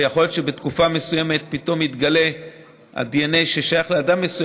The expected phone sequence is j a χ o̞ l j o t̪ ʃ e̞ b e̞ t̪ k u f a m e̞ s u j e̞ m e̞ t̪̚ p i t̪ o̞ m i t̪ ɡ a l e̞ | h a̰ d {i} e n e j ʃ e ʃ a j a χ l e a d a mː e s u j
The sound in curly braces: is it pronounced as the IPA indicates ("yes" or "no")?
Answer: yes